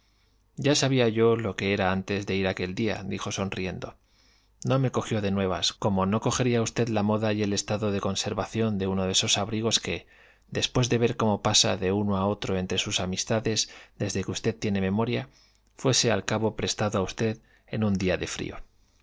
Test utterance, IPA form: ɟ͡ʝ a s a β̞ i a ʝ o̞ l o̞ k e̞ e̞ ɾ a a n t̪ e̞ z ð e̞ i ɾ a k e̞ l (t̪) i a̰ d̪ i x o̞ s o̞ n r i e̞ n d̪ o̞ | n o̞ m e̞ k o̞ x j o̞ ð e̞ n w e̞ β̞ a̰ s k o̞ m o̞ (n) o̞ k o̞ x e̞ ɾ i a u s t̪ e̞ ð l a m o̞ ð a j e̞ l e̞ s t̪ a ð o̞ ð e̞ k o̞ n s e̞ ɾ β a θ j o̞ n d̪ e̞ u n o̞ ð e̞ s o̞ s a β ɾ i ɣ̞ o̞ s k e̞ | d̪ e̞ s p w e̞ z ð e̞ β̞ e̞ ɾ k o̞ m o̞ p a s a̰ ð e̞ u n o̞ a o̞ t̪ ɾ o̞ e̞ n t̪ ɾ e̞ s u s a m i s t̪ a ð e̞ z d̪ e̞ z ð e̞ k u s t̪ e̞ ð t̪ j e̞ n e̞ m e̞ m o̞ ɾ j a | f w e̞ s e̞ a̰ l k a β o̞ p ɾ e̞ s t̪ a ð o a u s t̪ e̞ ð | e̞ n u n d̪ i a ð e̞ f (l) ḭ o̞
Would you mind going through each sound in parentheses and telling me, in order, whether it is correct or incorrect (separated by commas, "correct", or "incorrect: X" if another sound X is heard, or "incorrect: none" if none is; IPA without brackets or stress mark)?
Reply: incorrect: d̪, correct, incorrect: ɾ